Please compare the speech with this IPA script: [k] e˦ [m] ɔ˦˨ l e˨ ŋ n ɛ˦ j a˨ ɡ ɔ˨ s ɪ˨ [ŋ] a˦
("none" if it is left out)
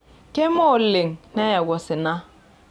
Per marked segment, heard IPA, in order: k, m, n

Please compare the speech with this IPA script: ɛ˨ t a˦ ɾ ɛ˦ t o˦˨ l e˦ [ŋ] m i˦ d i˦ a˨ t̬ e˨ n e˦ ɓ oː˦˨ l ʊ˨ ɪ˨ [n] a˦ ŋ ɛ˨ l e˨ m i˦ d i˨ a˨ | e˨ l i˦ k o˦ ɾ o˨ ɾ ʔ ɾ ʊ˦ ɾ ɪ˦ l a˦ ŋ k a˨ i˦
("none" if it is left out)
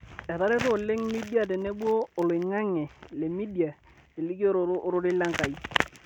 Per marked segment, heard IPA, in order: ŋ, ŋ

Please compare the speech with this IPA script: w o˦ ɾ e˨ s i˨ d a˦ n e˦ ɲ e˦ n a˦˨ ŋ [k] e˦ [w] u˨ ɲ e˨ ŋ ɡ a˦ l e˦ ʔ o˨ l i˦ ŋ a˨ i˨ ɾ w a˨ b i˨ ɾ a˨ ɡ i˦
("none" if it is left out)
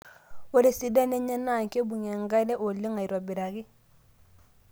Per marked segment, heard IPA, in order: k, b

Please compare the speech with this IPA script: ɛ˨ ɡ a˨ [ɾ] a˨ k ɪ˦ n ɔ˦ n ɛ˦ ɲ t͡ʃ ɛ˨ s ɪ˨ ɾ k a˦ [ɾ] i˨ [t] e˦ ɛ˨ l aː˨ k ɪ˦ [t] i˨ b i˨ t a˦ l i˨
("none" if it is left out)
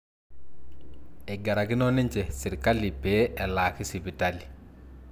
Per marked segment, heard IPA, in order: ɾ, l, p, s

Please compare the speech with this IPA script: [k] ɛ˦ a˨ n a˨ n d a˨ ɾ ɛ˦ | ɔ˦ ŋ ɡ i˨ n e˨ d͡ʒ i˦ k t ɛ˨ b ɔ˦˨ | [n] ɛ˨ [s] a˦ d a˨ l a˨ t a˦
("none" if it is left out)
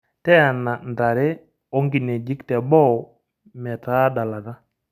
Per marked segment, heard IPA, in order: t, m, t

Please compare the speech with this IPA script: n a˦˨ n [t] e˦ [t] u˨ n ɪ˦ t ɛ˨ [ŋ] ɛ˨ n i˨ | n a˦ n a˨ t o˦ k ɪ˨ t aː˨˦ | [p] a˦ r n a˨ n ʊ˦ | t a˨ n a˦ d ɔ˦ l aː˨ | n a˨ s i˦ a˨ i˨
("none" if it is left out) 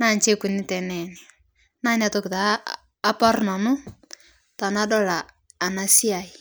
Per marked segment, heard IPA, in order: t͡ʃ, k, n, p

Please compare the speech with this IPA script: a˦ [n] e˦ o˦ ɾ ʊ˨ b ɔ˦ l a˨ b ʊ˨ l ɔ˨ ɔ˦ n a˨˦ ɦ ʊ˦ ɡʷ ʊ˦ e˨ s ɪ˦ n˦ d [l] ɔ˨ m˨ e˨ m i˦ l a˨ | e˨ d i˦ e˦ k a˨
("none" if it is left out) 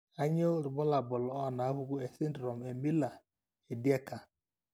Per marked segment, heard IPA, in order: ɲ, ɾ

